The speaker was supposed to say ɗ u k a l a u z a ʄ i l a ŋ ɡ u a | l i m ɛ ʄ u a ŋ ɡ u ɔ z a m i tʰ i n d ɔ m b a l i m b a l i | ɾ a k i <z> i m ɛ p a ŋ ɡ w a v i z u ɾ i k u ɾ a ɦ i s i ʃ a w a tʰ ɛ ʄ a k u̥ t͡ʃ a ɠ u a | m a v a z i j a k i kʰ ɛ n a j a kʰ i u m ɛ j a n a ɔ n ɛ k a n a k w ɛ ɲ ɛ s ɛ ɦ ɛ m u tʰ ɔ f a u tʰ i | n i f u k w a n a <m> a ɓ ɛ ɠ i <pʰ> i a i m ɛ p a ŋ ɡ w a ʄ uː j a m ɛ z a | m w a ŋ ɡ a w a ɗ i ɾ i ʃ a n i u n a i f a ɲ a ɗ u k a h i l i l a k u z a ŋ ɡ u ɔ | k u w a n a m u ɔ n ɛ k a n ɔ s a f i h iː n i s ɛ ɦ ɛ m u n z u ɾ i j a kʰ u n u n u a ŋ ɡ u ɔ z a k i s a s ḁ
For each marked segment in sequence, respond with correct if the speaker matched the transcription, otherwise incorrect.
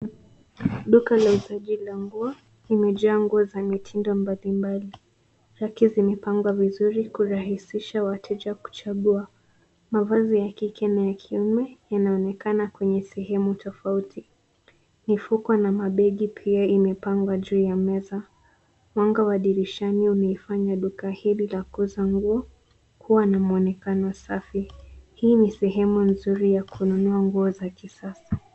correct, correct, correct

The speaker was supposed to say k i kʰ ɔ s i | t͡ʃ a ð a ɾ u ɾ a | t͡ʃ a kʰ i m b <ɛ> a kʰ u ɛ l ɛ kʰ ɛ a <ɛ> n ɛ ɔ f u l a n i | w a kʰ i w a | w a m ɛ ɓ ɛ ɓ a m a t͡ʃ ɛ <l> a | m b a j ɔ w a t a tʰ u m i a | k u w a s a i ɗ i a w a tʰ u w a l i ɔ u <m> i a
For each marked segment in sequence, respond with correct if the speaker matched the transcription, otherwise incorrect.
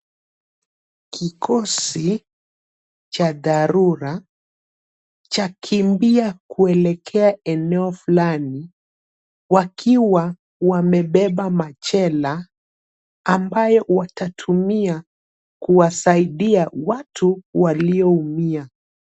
incorrect: i, correct, correct, correct

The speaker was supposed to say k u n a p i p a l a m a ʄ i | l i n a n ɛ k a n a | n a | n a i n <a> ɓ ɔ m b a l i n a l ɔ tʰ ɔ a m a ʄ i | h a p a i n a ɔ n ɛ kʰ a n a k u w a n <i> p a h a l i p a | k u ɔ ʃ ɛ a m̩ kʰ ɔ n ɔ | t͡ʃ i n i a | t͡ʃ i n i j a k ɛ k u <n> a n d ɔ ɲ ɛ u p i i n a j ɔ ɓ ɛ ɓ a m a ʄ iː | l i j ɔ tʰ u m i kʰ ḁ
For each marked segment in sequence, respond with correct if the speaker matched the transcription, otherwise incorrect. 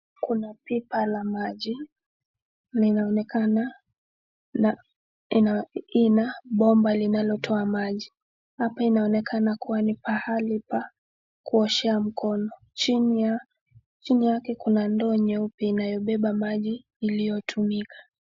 correct, correct, correct

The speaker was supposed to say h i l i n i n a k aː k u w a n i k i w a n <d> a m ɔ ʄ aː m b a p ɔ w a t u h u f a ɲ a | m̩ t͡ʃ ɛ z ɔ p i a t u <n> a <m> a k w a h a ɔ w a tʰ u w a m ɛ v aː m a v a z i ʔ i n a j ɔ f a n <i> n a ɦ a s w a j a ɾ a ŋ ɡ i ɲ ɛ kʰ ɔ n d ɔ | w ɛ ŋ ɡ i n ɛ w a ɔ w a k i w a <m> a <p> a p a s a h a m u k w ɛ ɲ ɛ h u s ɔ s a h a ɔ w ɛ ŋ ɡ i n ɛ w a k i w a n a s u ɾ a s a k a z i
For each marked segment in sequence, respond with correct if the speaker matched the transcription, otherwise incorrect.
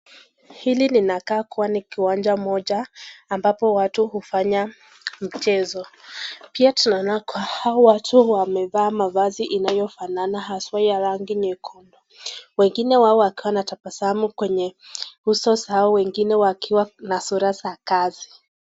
incorrect: d͡ʒ, correct, incorrect: n, incorrect: a, incorrect: n, incorrect: t

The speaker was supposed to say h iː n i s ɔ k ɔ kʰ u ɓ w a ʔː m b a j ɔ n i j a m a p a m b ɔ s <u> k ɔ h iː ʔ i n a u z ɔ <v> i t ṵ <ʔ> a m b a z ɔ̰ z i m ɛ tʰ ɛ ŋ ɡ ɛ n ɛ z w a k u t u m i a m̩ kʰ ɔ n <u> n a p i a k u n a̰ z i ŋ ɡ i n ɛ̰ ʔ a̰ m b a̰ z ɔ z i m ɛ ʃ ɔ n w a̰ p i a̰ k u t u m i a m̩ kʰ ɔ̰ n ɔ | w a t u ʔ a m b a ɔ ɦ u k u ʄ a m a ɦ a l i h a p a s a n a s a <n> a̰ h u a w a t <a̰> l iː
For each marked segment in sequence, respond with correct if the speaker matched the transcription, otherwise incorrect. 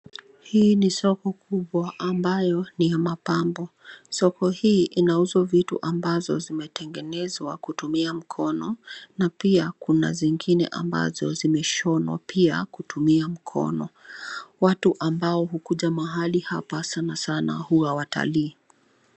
incorrect: ɔ, correct, correct, incorrect: ɔ, correct, correct

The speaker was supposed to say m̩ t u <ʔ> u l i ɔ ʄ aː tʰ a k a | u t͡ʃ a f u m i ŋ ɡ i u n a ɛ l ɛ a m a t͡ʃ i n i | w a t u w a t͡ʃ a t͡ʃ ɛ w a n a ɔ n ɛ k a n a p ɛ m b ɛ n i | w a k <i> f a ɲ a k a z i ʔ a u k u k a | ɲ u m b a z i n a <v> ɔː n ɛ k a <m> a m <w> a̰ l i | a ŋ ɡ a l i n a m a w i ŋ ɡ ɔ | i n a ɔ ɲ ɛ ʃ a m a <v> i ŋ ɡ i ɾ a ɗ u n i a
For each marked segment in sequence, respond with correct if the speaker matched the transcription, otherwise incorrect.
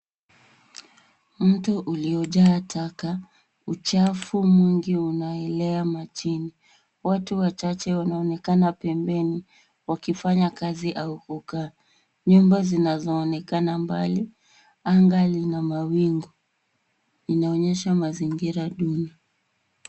correct, correct, incorrect: z, incorrect: n, incorrect: b, incorrect: z

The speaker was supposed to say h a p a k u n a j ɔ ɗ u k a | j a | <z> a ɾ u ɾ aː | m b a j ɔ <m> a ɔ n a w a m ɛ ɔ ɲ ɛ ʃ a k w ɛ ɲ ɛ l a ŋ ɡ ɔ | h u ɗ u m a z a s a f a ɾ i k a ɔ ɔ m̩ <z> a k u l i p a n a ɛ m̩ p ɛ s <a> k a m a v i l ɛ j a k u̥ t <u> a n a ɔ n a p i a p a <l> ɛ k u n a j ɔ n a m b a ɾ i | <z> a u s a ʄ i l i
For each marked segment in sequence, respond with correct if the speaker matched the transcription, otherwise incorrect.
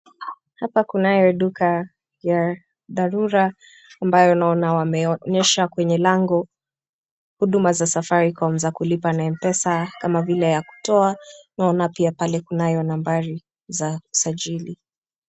incorrect: ð, incorrect: n, correct, correct, incorrect: ɔ, correct, correct

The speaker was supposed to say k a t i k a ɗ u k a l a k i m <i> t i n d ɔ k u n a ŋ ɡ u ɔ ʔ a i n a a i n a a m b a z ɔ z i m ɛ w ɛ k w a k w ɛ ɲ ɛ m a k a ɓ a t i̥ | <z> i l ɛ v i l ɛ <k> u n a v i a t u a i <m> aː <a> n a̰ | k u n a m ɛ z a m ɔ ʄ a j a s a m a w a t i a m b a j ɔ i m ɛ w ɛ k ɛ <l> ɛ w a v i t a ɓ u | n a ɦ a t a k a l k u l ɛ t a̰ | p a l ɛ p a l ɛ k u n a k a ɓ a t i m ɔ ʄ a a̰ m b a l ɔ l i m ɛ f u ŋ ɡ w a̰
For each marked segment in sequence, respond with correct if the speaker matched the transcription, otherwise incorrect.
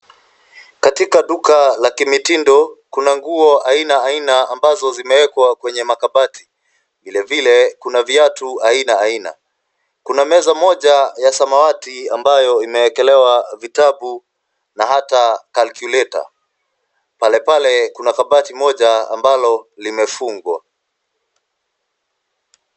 correct, incorrect: v, correct, incorrect: n, incorrect: i, correct

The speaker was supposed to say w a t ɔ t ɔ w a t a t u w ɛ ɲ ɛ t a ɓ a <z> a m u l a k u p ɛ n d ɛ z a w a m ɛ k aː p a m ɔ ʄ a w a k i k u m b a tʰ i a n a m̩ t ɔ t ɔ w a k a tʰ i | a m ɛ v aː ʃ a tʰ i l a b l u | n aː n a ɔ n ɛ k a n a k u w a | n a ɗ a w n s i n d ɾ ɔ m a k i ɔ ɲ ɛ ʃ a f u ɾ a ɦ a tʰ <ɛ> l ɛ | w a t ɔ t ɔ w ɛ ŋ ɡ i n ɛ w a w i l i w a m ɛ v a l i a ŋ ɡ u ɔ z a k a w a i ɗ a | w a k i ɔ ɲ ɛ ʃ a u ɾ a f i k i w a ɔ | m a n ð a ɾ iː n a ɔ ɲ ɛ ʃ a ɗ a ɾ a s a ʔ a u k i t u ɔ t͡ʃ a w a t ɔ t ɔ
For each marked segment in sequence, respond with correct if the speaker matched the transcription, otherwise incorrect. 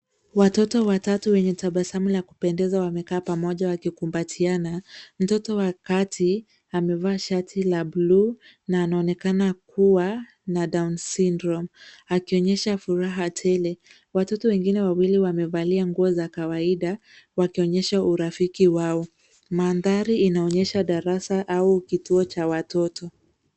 incorrect: s, correct

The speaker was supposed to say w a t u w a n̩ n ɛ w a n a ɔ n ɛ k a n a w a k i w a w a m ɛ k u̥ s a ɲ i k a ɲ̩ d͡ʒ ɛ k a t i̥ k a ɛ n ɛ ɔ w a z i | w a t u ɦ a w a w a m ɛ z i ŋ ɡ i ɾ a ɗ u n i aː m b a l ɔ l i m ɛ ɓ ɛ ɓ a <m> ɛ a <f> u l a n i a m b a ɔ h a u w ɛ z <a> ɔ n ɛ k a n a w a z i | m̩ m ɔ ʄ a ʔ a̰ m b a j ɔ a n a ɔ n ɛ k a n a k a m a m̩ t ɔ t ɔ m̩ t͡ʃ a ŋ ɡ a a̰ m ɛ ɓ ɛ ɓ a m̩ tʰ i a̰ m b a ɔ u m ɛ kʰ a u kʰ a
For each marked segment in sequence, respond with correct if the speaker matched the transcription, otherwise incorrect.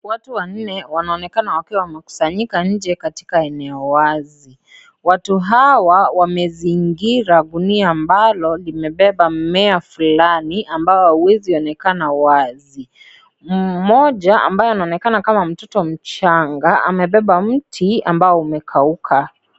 correct, correct, incorrect: i

